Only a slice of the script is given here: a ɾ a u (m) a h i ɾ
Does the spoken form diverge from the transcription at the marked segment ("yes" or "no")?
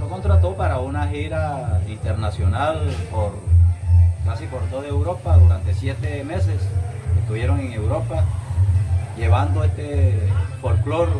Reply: yes